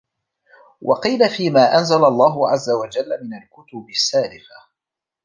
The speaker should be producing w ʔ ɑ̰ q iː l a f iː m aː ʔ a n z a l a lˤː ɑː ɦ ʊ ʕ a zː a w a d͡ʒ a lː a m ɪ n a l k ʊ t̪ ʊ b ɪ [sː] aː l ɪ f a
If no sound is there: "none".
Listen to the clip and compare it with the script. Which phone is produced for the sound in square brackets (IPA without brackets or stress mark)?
sː